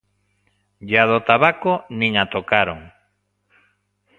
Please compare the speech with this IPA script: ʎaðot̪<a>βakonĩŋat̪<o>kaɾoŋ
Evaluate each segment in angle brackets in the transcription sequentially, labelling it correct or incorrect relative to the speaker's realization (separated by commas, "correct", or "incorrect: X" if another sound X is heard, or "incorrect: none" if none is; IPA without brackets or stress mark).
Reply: correct, correct